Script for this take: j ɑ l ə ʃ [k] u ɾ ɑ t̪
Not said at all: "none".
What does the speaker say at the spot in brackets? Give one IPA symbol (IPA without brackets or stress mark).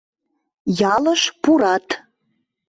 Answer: p